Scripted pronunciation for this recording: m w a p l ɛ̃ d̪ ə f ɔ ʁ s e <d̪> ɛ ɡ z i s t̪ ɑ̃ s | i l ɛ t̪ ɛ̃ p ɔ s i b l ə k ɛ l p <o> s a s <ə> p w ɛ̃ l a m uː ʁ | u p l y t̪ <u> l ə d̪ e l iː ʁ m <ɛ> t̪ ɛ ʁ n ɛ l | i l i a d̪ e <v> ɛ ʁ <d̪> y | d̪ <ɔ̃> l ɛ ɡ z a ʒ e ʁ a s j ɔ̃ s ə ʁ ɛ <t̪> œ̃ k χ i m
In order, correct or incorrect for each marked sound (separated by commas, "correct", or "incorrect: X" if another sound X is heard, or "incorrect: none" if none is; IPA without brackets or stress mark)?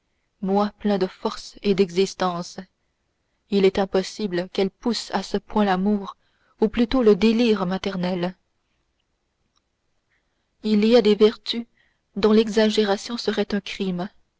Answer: correct, incorrect: u, correct, incorrect: o, incorrect: a, correct, incorrect: t̪, correct, correct